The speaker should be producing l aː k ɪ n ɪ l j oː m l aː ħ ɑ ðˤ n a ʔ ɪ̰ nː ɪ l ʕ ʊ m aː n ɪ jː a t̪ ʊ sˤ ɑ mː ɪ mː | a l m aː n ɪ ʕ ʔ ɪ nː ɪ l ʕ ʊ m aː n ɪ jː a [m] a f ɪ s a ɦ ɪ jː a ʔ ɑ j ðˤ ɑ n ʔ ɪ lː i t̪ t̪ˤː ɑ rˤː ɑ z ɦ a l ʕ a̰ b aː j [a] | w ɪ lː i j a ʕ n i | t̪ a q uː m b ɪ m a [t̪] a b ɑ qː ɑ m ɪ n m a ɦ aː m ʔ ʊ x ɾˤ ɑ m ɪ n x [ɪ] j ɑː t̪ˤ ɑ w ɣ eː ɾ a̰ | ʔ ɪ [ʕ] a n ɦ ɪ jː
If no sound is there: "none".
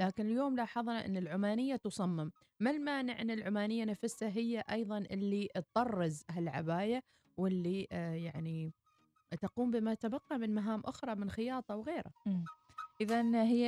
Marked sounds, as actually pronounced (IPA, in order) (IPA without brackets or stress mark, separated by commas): n, a, t̪, ɪ, ð